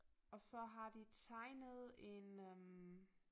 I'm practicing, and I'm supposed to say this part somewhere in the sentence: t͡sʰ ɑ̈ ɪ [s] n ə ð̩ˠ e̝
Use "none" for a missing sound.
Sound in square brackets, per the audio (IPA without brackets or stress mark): none